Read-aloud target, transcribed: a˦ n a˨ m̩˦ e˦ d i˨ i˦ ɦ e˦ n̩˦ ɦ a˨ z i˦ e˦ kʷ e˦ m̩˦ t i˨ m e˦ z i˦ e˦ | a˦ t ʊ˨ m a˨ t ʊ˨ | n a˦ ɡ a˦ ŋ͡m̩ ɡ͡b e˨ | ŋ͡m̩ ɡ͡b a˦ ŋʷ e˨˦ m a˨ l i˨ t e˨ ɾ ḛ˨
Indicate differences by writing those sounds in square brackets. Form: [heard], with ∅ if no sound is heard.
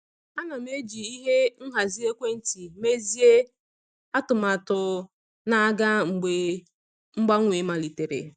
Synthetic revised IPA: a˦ n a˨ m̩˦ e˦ [d͡ʒ] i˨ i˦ ɦ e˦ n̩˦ ɦ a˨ z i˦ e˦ kʷ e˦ [n̩˦] t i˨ m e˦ z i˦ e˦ | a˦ t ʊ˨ m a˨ t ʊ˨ | n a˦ ɡ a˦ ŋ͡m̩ ɡ͡b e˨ | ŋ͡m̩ ɡ͡b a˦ ŋʷ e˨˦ m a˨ l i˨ t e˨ ɾ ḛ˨